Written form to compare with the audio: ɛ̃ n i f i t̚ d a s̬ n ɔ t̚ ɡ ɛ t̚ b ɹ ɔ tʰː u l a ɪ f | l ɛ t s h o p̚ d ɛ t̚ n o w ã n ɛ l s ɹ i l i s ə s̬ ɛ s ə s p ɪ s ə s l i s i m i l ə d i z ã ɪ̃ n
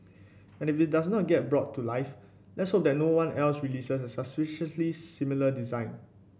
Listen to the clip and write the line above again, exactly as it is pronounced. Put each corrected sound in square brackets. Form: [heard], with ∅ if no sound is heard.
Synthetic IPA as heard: ɛ̃ n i f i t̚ d a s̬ n ɔ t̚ ɡ ɛ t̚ b ɹ ɔ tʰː u l a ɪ f | l ɛ t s h o p̚ d ɛ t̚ n o w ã n ɛ l s ɹ i l i s ə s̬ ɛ s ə s p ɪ [ʃ] ə s l i s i m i l ə d i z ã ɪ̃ n